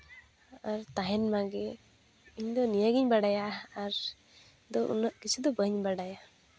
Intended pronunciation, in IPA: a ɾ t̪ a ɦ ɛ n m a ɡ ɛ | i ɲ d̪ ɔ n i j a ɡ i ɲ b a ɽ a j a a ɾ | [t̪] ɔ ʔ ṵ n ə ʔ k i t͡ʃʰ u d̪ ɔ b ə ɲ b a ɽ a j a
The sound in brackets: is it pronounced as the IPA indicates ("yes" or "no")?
no